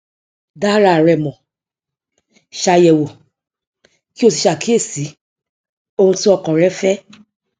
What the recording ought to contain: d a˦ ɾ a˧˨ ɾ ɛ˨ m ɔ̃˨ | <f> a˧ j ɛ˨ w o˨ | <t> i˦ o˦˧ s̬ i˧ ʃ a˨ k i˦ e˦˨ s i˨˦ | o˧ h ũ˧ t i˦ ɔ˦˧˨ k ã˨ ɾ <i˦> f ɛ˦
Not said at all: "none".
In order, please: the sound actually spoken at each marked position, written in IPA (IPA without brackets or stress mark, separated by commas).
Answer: ʃ, k, ɛ˦